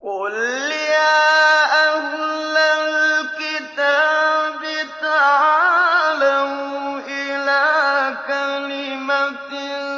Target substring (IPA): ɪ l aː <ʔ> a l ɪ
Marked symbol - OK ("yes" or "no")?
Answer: no